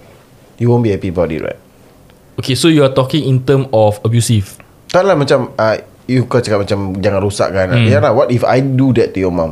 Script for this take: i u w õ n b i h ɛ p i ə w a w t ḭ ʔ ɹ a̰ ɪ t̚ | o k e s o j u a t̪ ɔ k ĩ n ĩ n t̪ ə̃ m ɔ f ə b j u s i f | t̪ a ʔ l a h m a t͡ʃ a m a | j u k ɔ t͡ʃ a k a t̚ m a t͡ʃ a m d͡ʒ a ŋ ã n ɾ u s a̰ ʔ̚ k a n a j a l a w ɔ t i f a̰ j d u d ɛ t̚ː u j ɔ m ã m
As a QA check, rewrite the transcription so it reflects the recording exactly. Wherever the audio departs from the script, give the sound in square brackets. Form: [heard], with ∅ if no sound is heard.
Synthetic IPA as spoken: [j] u w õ n b i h ɛ p i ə [b] a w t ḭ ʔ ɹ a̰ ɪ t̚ | o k e s o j u a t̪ ɔ k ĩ [ŋ] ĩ n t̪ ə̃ m ɔ f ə b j u s i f | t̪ a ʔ l a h m a t͡ʃ a m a | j u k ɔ t͡ʃ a k a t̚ m a t͡ʃ a m d͡ʒ a ŋ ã n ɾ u s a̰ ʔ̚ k a n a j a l a w ɔ t i f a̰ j d u d ɛ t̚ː u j ɔ m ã m